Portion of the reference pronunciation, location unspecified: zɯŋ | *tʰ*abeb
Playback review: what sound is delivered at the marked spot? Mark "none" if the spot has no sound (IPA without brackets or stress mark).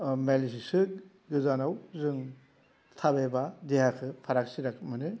tʰ